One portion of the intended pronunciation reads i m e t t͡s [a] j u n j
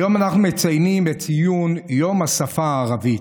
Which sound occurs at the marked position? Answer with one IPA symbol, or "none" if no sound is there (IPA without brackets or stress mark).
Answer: i